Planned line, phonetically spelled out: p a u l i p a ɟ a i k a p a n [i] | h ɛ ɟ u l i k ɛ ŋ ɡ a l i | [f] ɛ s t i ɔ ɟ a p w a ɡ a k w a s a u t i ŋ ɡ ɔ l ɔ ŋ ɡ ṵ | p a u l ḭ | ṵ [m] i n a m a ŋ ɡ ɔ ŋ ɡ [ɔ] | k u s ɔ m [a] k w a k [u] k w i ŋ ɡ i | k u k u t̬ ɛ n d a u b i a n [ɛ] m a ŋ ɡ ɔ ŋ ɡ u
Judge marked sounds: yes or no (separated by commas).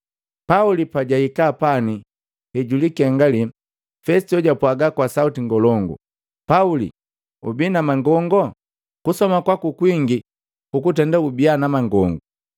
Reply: yes, yes, no, yes, yes, yes, no